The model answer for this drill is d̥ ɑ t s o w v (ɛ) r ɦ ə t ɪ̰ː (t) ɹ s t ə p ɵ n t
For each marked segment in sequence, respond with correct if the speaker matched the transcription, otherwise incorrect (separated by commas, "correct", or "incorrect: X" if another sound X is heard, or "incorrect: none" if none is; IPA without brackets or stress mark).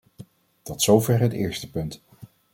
correct, incorrect: none